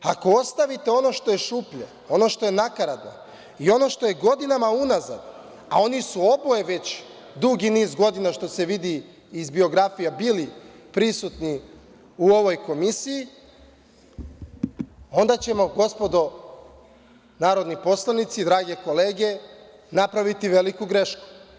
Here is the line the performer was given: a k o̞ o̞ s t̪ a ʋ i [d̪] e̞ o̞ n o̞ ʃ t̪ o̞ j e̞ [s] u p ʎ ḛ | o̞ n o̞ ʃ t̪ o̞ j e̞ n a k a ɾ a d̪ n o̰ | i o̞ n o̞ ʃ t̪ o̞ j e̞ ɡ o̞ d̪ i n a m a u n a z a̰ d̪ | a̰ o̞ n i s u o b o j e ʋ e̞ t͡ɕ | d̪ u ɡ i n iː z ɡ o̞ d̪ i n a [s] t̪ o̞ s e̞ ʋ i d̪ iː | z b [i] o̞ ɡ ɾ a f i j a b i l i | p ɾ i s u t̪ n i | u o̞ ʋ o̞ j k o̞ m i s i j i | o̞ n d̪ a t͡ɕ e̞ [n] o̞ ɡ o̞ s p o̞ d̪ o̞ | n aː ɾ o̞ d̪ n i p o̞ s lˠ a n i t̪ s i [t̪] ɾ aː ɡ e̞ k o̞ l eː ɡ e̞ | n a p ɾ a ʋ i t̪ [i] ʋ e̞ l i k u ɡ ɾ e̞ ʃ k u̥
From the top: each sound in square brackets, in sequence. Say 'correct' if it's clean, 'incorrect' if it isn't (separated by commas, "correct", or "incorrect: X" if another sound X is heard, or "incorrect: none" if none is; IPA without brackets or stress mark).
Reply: incorrect: t̪, incorrect: ʃ, incorrect: ʃ, correct, incorrect: m, incorrect: d̪, correct